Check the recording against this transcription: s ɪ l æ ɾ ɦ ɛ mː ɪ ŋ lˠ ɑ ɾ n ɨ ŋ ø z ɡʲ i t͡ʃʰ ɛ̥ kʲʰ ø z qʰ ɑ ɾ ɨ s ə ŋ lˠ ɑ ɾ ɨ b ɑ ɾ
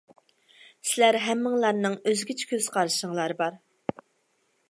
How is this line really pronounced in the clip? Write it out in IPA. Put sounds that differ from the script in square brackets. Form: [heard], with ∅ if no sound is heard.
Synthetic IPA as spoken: s ɪ l æ ɾ ɦ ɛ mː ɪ ŋ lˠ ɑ ɾ n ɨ ŋ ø z ɡʲ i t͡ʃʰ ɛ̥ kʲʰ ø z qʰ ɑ ɾ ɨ [ʃ] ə ŋ lˠ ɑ ɾ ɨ b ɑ ɾ